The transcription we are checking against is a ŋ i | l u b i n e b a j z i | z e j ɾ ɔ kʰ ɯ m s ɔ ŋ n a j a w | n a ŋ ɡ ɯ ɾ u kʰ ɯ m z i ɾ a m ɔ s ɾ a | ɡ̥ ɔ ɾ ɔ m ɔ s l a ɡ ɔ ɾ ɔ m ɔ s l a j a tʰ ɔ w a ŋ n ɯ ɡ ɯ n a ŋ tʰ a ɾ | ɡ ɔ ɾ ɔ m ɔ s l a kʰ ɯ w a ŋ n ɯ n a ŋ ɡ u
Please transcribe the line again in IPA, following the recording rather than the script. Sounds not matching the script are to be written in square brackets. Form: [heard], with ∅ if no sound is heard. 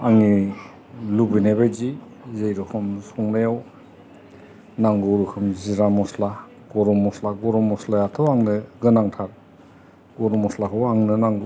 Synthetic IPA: a ŋ i | l u b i n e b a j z i | z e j ɾ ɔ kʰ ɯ m s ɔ ŋ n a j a w | n a ŋ ɡ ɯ ɾ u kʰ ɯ m z i ɾ a m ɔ s [l] a | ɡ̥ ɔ ɾ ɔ m ɔ s l a ɡ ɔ ɾ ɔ m ɔ s l a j a tʰ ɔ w a ŋ n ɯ ɡ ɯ n a ŋ tʰ a ɾ | ɡ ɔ ɾ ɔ m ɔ s l a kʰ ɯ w a ŋ n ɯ n a ŋ ɡ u